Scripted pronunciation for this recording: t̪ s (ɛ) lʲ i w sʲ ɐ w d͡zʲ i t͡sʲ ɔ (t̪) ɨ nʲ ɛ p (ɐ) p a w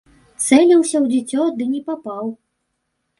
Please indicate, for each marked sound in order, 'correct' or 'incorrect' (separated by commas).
correct, incorrect, incorrect